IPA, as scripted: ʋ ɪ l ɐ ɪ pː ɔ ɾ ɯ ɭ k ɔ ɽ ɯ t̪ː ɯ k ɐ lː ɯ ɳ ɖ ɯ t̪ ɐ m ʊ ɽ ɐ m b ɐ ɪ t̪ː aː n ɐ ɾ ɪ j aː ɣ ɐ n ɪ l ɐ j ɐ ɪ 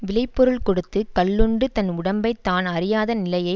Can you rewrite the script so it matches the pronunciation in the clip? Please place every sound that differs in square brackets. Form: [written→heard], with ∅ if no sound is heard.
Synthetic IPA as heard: ʋ ɪ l ɐ ɪ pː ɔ ɾ ɯ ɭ k ɔ ɽ ɯ t̪ː ɯ k ɐ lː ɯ ɳ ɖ ɯ t̪ ɐ [m→n] ʊ ɽ ɐ m b ɐ ɪ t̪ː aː n ɐ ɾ ɪ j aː [ɣ→ð] ɐ n ɪ l ɐ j ɐ ɪ